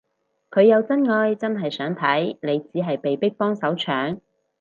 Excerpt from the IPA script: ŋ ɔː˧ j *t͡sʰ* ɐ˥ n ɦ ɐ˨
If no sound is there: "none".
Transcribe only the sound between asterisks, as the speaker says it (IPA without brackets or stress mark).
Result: t͡s